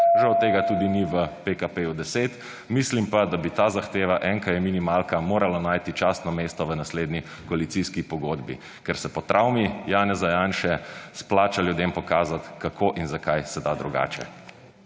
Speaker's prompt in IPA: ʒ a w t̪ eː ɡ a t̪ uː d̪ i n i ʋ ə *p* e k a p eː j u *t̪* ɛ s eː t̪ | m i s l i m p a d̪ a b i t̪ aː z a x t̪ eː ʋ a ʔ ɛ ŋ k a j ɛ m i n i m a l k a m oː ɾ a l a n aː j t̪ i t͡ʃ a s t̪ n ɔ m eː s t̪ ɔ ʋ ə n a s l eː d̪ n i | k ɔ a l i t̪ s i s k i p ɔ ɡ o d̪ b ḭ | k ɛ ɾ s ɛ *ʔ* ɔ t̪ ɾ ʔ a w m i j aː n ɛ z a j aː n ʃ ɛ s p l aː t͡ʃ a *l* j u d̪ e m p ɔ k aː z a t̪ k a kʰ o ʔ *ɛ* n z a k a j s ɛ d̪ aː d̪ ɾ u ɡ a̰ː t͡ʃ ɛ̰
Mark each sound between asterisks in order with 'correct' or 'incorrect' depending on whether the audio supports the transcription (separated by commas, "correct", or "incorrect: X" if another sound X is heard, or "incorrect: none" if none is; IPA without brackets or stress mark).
correct, incorrect: d̪, incorrect: p, correct, incorrect: i